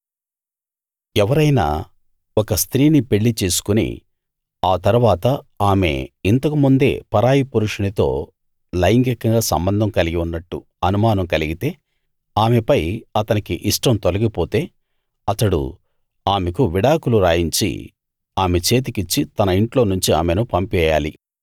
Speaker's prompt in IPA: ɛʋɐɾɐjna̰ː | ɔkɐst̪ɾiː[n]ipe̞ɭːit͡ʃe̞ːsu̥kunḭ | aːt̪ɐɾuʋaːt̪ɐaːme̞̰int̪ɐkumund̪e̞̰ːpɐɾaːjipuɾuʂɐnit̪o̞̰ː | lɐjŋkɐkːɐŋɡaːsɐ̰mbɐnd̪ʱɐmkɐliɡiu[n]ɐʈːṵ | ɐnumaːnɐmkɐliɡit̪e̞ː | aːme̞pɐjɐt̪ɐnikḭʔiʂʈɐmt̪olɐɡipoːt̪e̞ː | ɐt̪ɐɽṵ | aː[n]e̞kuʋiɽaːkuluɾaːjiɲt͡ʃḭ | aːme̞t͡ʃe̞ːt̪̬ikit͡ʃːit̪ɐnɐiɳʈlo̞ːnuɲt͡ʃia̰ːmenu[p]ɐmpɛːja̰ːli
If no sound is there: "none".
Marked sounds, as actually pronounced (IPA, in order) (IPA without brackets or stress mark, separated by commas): n, nː, m, p